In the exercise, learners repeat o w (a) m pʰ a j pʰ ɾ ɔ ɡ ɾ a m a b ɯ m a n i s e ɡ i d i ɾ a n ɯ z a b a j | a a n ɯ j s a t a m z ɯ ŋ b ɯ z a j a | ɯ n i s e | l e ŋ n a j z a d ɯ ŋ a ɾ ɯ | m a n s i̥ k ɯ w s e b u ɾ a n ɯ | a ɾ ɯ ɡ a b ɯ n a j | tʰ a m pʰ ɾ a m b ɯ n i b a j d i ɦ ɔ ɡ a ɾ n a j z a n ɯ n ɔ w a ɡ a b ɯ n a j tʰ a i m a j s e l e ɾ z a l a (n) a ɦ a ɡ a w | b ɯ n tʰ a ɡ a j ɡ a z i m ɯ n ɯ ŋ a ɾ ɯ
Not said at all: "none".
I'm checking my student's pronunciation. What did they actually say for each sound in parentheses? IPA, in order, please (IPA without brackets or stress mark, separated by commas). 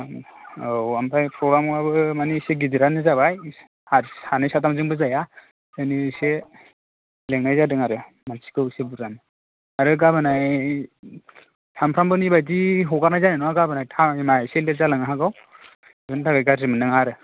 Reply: a, ŋ